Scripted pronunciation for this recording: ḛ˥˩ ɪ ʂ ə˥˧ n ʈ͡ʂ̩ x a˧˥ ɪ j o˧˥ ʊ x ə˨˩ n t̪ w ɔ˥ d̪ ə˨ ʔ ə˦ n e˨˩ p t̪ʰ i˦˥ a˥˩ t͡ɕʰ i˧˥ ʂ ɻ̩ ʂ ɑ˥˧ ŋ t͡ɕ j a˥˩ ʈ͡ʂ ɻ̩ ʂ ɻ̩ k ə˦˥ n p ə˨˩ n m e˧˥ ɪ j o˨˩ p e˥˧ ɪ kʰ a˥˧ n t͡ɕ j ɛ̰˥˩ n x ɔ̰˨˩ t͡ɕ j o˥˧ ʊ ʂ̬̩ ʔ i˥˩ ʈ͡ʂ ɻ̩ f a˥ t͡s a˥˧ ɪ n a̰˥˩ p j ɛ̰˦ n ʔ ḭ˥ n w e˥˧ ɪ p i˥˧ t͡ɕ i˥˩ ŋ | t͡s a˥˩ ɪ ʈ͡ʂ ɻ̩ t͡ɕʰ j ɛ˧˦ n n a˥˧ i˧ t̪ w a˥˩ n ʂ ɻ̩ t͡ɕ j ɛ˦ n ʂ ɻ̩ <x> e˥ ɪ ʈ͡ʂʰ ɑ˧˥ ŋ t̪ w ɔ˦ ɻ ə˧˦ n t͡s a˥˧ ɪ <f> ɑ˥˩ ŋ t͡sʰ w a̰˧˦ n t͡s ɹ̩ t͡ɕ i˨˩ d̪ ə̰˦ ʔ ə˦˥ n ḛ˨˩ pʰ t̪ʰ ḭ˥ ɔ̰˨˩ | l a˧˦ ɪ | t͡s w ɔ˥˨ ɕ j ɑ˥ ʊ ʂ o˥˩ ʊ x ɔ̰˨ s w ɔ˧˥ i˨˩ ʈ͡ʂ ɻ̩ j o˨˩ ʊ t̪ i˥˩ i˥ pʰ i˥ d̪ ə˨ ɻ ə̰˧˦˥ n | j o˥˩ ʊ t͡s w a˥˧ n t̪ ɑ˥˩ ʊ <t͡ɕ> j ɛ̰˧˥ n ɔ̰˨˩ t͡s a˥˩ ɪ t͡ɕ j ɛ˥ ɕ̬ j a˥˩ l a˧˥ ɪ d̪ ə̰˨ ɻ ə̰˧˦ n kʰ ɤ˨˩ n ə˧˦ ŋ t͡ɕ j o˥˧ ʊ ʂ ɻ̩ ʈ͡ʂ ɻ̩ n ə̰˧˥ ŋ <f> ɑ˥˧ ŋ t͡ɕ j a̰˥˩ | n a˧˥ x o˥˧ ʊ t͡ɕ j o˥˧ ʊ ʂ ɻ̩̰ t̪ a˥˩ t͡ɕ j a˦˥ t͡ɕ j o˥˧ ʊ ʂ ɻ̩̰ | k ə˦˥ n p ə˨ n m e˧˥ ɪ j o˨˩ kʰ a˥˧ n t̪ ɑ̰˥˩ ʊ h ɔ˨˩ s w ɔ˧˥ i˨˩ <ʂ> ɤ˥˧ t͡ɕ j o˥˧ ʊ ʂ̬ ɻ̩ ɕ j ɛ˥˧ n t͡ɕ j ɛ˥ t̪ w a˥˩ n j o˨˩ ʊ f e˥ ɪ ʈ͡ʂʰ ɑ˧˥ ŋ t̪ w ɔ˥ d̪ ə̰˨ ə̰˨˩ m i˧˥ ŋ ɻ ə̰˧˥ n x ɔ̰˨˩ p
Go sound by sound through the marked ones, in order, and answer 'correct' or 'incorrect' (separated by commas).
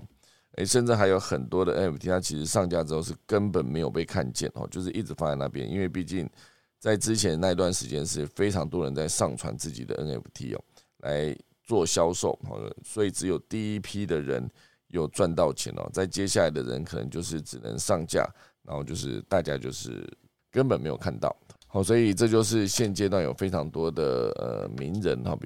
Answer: incorrect, incorrect, incorrect, incorrect, incorrect